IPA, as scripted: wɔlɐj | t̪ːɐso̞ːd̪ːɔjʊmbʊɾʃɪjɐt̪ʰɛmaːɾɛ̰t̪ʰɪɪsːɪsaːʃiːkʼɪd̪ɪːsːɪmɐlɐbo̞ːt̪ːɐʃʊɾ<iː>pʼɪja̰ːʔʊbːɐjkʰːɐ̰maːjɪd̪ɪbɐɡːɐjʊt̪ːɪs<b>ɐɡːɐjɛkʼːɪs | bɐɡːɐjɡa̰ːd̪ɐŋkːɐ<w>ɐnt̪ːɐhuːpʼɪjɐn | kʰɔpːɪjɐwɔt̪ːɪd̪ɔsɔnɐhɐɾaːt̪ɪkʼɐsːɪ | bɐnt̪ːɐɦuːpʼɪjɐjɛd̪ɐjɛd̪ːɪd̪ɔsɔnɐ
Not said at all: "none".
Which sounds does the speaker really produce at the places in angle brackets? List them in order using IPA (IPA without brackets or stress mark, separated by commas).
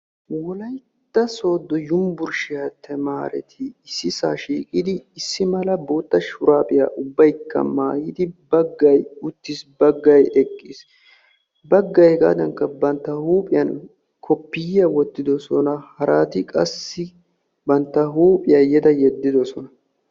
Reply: aː, b, b